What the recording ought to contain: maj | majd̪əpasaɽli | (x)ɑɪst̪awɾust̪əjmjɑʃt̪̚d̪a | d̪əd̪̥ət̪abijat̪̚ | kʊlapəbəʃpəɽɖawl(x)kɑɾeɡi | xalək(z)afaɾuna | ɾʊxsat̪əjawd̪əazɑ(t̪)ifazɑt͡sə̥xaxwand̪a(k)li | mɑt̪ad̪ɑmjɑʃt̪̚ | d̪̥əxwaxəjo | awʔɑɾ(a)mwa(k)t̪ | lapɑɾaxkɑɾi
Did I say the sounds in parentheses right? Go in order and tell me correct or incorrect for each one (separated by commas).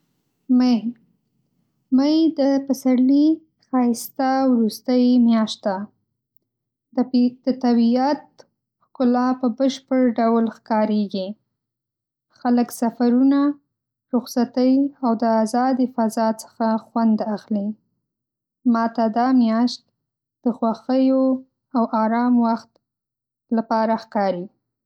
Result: correct, correct, incorrect, incorrect, incorrect, incorrect, incorrect